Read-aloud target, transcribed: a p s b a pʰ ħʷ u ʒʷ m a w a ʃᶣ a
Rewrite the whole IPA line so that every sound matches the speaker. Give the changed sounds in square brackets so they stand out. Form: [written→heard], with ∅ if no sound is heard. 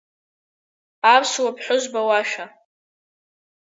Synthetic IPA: a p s [b→w] a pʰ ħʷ [u→ʊ] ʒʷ [m→b] a w a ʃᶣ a

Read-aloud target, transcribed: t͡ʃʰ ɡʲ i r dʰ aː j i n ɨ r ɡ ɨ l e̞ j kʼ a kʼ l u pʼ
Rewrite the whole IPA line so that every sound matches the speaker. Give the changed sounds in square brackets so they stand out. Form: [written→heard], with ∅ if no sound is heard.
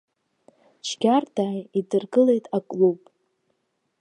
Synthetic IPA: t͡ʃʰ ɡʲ [i→a] r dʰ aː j i [n→d] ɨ r ɡ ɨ l e̞ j [kʼ→tʼ] a kʼ l u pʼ

